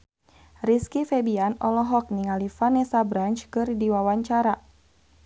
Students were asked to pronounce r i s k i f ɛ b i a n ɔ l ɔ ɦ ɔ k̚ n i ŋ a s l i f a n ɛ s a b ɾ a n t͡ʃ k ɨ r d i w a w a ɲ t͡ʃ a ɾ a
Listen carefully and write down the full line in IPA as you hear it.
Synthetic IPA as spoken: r i s k i f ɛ b i a n ɔ l ɔ ɦ ɔ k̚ n i ŋ a l i f a n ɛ s a b ɾ a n t͡ʃ k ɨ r d i w a w a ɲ t͡ʃ a ɾ a